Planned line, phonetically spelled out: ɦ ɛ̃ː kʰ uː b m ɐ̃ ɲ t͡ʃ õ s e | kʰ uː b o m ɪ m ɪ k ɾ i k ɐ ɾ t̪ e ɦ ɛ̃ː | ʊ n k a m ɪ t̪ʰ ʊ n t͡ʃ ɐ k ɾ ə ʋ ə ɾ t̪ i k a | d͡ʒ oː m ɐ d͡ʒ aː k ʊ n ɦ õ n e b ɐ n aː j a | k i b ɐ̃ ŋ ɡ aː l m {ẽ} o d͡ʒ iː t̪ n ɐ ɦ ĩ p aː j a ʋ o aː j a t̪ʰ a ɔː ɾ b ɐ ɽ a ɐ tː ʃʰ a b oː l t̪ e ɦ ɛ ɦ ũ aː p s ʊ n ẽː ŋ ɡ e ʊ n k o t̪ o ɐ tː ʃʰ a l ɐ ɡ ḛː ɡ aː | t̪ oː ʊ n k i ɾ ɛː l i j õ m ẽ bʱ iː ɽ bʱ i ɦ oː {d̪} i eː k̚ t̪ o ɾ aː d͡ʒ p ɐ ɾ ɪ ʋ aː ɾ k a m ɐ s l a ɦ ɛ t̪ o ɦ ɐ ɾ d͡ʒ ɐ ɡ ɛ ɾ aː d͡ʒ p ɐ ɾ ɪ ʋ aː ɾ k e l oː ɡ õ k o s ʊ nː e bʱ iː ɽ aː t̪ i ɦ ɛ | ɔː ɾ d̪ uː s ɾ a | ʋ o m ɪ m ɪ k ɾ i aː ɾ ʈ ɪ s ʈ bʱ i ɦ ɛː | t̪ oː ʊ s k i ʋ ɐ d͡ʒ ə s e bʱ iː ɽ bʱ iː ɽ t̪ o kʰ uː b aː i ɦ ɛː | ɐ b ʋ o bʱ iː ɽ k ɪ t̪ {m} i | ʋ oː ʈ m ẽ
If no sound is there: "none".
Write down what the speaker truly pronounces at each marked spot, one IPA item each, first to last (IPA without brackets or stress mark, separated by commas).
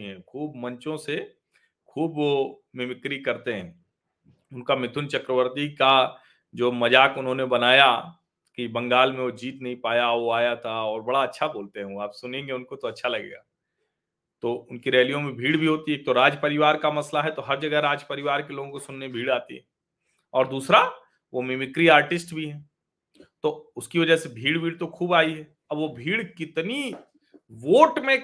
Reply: ẽ, t̪, n